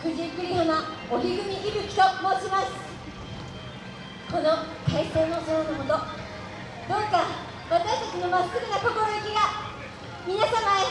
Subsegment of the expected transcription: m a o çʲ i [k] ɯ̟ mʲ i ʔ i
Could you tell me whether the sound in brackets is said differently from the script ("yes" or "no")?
yes